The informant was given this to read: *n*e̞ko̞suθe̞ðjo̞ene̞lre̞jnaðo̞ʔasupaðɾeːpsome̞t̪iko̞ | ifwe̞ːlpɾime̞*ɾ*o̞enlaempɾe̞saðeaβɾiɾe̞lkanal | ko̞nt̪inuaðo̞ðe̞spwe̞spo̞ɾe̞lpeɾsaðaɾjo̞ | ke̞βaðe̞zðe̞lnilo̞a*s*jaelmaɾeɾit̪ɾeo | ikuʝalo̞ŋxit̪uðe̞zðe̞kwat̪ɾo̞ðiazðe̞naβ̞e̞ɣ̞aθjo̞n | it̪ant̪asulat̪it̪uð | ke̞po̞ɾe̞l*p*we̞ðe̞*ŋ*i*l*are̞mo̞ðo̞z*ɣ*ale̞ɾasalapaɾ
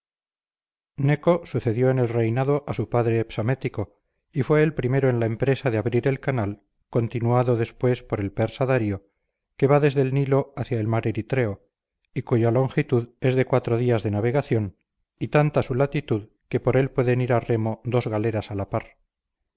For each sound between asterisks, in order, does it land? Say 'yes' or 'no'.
yes, yes, no, yes, no, no, yes

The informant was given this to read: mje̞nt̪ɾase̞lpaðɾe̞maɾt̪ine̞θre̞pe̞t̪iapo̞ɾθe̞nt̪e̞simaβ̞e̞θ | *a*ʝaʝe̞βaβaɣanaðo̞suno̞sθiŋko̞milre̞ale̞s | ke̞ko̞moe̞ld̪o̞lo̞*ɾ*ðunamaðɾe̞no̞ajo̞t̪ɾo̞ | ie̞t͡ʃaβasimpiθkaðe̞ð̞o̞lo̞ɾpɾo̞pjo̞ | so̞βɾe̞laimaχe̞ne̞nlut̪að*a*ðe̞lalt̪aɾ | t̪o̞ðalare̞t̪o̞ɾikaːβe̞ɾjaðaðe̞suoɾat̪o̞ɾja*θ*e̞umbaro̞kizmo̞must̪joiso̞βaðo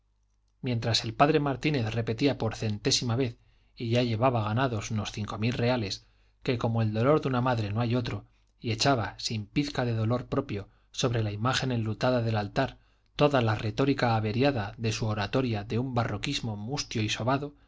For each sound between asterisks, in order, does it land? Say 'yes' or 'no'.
no, yes, yes, no

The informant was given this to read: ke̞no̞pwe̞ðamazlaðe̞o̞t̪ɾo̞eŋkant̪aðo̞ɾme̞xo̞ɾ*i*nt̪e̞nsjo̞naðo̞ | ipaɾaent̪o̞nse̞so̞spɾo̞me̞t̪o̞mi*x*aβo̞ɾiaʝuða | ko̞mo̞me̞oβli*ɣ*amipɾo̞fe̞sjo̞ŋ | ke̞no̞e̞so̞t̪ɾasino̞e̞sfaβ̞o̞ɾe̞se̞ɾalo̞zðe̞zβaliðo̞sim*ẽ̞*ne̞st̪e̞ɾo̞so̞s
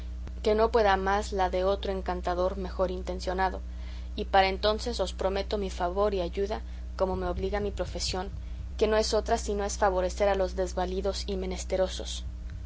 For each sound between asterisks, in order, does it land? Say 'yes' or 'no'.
yes, no, yes, no

